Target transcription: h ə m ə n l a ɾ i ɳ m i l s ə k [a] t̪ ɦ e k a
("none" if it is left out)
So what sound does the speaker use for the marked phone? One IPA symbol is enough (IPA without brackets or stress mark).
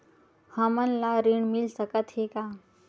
ə